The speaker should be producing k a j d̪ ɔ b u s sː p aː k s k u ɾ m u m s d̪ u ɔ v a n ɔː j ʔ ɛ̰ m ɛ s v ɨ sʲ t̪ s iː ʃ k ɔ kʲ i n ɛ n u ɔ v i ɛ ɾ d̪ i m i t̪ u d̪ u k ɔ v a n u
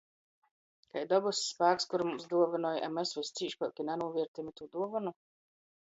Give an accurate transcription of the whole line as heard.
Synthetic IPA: k a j d̪ ɔ b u s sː p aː k s k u ɾ m u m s d̪ u ɔ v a n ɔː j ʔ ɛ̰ m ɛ s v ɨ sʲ t̪ s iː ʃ p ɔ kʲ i n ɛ n u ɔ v i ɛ ɾ t̪ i m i t̪ u d̪ u ɔ v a n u

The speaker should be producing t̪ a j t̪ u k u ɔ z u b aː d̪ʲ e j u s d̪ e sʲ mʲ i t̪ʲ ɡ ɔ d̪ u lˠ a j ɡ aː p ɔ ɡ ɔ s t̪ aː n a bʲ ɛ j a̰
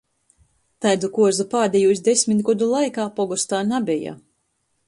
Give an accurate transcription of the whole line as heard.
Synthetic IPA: t̪ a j d̪ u k u ɔ z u p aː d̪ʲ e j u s d̪ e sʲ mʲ i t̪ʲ ɡ ɔ d̪ u lˠ a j k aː p ɔ ɡ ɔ s t̪ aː n a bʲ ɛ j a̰

